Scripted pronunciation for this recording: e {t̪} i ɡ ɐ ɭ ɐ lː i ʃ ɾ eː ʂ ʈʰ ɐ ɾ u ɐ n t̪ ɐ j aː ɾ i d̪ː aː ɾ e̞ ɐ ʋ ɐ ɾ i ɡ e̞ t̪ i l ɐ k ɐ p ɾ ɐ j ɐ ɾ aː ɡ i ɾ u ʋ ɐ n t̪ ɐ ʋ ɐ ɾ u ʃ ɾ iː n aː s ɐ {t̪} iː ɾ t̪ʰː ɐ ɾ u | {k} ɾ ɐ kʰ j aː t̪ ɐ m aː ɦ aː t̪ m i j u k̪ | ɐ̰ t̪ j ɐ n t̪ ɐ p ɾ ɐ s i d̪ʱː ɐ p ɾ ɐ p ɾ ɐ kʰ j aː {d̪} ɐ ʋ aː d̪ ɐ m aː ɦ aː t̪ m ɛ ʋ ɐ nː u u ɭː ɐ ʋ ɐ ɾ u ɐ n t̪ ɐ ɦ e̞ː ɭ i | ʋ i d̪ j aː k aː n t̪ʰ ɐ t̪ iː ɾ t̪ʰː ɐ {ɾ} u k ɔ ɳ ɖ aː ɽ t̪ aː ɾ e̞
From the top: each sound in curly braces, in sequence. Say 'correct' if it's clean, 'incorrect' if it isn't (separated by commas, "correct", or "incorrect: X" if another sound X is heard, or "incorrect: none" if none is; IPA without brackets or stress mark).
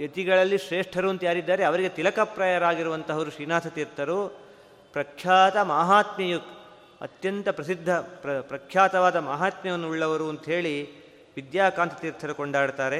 correct, correct, incorrect: p, incorrect: t̪, correct